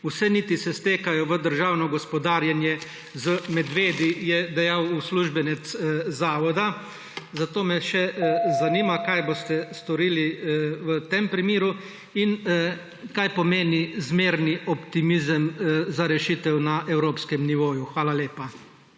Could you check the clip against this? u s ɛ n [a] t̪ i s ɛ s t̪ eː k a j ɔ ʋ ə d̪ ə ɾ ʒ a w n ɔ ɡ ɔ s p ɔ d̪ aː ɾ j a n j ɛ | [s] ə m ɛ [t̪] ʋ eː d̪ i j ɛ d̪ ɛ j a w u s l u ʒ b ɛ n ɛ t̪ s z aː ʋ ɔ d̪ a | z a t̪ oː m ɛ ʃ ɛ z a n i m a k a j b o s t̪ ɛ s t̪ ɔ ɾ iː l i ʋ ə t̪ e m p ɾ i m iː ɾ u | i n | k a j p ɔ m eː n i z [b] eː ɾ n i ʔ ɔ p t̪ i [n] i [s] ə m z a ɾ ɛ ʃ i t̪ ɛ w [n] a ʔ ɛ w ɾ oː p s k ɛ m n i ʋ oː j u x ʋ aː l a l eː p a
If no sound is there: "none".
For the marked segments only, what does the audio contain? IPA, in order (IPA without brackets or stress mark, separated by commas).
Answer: i, z, d̪, m, m, z, n